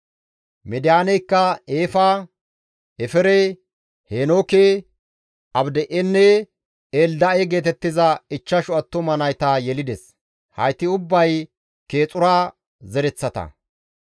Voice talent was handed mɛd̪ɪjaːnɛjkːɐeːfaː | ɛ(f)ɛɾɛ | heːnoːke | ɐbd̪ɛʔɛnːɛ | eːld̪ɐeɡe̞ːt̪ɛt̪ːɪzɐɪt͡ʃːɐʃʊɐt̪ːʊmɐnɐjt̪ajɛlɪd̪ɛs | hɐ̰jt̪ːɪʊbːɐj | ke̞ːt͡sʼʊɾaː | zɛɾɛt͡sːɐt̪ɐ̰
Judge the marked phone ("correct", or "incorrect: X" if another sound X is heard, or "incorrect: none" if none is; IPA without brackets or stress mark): correct